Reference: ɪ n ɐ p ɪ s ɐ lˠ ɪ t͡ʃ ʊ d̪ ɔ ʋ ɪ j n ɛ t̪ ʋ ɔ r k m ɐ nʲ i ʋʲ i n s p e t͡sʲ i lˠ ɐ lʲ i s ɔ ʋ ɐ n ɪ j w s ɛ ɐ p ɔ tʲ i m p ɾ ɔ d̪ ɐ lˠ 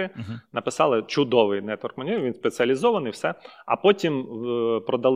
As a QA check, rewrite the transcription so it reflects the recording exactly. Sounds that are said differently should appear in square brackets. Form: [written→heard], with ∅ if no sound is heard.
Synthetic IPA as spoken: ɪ n ɐ p ɪ s [ɐ→ɑ] lˠ ɪ t͡ʃ ʊ d̪ ɔ ʋ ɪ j n ɛ t̪ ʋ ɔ r k m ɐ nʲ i ʋʲ i n s p e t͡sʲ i [lˠ→∅] ɐ lʲ i [s→z] ɔ ʋ ɐ n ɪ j w s ɛ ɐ p ɔ tʲ i m p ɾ ɔ d̪ ɐ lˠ